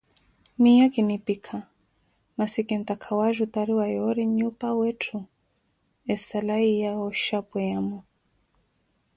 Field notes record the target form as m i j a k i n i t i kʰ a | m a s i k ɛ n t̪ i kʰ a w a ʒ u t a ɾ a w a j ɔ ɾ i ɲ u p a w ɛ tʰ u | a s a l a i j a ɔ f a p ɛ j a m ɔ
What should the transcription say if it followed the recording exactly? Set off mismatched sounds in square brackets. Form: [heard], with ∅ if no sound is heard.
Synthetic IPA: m i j a k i n i [p] i kʰ a | m a s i k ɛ n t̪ [a] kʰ a w a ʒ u t a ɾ [i] w a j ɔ ɾ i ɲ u p a w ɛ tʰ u | [ɛ] s a l a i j a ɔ [ʃ] a p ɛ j a m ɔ